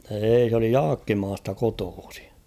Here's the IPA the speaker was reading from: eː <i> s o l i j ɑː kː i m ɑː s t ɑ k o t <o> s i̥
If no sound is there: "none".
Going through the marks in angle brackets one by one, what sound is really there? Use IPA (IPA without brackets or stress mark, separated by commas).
i, oː